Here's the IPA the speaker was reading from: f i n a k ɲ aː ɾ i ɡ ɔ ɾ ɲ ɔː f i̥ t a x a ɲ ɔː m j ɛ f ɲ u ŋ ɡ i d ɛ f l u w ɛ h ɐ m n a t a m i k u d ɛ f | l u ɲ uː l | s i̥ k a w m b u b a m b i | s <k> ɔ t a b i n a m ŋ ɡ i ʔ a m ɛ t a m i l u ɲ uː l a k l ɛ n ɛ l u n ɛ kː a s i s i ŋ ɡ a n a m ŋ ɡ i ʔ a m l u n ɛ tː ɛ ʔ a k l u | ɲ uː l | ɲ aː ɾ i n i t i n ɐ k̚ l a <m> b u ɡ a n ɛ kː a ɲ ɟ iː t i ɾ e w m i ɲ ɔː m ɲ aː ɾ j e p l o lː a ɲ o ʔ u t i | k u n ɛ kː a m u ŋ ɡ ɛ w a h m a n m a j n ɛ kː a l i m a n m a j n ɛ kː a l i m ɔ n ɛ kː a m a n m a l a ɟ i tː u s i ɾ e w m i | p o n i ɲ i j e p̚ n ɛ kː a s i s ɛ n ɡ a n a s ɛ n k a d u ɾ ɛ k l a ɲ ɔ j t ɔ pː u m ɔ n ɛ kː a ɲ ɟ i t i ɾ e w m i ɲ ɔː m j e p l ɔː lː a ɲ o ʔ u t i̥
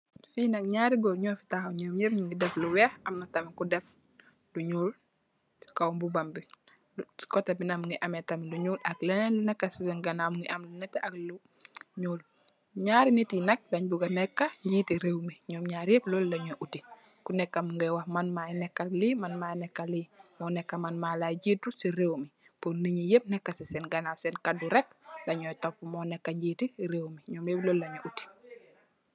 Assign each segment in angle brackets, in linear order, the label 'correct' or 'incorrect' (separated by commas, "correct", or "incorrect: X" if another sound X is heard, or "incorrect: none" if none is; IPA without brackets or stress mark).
correct, incorrect: ɲ